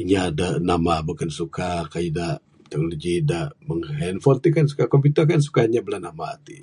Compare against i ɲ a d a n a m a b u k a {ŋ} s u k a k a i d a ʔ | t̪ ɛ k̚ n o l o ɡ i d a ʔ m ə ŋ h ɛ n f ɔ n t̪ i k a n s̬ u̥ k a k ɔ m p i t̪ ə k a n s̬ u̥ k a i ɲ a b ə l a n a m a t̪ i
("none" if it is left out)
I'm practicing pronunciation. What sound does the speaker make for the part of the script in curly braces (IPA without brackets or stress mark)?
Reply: n